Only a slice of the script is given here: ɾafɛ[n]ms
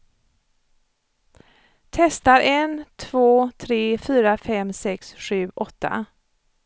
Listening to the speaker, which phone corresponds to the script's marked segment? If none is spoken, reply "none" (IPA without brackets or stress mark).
none